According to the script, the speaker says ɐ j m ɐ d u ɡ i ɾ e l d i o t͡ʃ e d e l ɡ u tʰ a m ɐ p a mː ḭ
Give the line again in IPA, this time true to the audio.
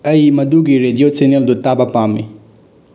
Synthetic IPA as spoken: ɐ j m ɐ d u ɡ i ɾ e d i o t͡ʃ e n e l d u t a b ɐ p a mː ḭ